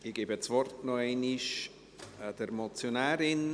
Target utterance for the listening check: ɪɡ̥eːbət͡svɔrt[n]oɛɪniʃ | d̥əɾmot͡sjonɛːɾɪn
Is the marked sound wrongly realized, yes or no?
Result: no